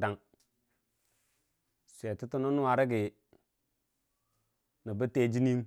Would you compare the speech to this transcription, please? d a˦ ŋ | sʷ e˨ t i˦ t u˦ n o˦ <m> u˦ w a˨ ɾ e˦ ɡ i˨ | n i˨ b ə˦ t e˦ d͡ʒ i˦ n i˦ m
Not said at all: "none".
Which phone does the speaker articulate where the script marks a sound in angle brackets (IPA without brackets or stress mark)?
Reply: n